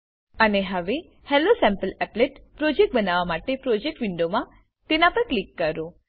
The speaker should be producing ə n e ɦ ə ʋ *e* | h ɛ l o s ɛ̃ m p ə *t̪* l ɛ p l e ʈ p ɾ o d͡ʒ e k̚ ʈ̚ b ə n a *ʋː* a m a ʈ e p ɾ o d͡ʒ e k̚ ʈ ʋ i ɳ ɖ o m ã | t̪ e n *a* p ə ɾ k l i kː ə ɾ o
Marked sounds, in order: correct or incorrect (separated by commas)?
correct, incorrect, incorrect, correct